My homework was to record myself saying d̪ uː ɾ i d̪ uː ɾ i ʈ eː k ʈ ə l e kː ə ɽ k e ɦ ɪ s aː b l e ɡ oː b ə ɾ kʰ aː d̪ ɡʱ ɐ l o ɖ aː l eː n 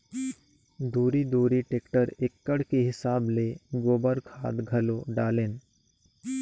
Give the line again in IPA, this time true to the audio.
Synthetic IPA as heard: d̪ uː ɾ i d̪ uː ɾ i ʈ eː k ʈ ə ɾ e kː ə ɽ k e ɦ ɪ s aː b l e ɡ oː b ə ɾ kʰ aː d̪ ɡʱ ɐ l o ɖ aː l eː n